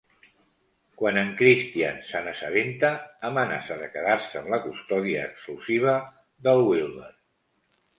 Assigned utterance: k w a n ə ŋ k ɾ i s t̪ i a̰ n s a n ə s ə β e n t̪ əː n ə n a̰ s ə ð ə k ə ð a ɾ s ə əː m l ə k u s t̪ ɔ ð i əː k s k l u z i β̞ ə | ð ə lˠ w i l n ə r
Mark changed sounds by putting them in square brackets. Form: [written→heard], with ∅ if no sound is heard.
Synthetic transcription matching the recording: k w a n ə ŋ k ɾ i s t̪ i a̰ n s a n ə s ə β e n t̪ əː [n→m] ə n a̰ s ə ð ə k ə ð a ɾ s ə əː m l ə k u s t̪ ɔ ð i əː k s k l u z i β̞ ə | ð ə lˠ w i l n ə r